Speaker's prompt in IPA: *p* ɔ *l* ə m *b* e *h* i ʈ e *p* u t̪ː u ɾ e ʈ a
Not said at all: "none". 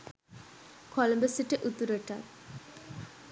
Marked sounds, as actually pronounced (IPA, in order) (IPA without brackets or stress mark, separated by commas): k, l, b, s, ʔ